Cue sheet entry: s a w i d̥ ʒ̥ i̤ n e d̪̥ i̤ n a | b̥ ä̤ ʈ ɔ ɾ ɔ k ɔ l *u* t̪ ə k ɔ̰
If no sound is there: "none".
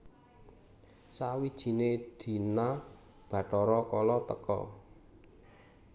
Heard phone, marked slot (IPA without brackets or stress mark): ɔ